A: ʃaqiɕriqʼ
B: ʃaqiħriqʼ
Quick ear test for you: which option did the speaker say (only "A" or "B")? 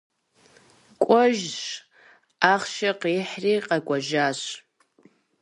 B